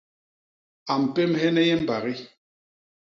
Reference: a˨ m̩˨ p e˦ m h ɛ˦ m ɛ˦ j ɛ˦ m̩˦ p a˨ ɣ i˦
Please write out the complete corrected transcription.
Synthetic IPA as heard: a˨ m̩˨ p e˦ m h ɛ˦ n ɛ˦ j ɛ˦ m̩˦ b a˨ ɣ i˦